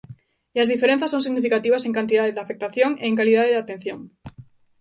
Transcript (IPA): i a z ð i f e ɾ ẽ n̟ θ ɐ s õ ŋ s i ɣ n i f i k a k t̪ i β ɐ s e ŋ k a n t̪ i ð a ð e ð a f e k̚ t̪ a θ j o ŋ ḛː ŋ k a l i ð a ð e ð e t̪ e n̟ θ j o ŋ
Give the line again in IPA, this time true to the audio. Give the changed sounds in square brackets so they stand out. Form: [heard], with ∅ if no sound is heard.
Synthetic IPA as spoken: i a z ð i f e ɾ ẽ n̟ θ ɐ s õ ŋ s i ɣ n i f i k a [∅] t̪ i β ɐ s e ŋ k a n t̪ i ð a ð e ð a f e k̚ t̪ a θ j o ŋ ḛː ŋ k a l i ð a ð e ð [a] t̪ e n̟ θ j o ŋ